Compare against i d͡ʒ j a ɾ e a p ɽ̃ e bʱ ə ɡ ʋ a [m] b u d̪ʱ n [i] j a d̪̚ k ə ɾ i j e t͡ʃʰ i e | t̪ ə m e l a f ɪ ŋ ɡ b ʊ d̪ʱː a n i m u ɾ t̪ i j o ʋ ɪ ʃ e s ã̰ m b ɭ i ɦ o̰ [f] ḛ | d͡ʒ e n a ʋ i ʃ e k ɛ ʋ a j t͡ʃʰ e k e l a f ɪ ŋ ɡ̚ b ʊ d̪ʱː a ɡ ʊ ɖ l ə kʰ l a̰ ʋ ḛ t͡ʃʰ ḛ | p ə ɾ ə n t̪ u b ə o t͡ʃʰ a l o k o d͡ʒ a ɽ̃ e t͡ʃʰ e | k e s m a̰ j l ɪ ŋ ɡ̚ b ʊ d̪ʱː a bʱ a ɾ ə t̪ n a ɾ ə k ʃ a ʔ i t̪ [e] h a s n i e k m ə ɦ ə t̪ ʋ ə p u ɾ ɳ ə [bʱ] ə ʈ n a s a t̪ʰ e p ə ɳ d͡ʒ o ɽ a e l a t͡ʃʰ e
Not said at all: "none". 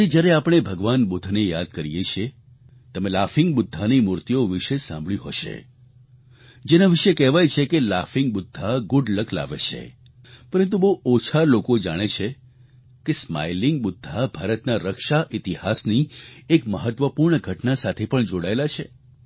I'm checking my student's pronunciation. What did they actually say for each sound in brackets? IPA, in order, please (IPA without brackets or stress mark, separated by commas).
n, e, ʃ, i, ɡʱ